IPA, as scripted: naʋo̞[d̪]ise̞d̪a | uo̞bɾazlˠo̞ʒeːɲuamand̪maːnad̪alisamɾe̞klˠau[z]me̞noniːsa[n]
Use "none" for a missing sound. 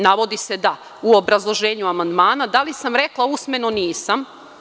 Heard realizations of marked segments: d̪, s, m

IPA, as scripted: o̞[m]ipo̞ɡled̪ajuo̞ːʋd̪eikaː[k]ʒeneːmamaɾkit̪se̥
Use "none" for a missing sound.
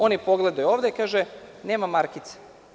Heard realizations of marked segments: n, none

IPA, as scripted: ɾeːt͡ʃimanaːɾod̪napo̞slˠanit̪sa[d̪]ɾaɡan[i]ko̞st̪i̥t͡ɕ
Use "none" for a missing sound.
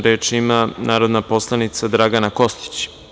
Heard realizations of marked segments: d̪, a

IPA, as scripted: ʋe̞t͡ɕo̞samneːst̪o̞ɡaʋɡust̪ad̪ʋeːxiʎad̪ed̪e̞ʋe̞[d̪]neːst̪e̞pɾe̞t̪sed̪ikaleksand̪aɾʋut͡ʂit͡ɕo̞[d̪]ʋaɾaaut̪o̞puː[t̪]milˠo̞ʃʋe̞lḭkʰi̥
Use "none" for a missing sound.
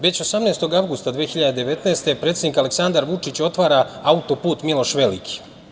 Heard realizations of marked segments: t̪, t̪, t̪

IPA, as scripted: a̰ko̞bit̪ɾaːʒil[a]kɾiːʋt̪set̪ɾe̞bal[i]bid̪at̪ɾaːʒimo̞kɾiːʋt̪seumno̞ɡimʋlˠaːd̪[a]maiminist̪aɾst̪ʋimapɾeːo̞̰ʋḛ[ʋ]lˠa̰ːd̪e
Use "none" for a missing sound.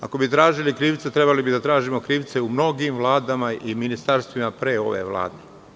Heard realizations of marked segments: i, i, a, ʋ

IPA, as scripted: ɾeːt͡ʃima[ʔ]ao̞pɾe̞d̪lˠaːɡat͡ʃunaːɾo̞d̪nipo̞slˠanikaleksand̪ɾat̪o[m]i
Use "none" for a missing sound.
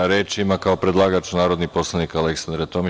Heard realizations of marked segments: k, m

